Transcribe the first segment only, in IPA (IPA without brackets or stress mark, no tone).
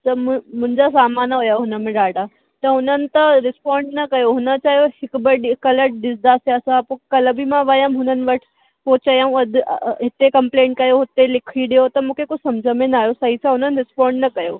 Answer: t̪